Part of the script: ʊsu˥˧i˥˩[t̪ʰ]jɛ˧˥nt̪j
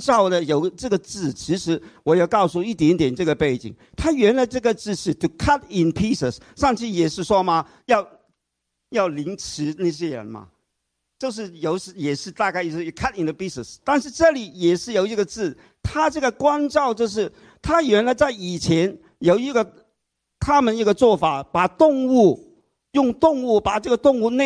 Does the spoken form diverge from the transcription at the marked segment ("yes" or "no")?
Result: yes